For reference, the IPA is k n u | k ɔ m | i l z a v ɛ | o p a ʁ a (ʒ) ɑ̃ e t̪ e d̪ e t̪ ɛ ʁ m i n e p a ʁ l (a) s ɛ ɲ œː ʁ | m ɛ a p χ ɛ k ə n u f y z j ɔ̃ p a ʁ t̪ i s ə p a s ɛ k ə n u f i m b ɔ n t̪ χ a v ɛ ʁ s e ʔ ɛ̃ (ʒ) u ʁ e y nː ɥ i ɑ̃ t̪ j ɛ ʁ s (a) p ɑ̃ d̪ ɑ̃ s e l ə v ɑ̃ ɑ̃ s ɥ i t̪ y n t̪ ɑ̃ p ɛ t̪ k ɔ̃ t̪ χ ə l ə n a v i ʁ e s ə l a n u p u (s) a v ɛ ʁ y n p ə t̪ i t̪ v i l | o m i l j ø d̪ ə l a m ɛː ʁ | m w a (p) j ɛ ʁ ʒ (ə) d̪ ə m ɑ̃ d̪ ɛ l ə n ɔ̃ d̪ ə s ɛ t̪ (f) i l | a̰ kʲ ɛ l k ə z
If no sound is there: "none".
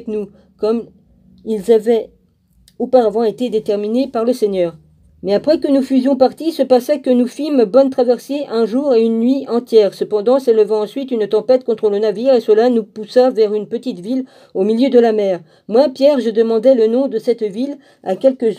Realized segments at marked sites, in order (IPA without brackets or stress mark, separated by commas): v, ə, ʒ, ə, s, p, ə, v